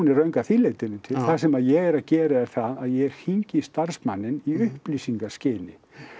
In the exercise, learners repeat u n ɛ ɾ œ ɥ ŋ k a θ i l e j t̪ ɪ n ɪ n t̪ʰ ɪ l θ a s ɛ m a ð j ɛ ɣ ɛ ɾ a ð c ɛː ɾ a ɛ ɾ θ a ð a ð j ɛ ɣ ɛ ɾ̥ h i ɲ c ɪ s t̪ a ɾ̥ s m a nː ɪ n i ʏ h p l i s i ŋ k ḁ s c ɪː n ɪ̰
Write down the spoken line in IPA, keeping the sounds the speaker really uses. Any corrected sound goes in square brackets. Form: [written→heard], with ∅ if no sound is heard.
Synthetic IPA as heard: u n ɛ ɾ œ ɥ ŋ k a θ i l e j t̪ ɪ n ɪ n t̪ʰ ɪ l θ a s ɛ m a ð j ɛ ɣ ɛ ɾ a ð c ɛː ɾ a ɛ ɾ θ a ð a ð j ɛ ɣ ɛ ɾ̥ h i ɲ c ɪ s t̪ a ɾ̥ s m a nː ɪ n i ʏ h p l i s i ŋ k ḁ s c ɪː n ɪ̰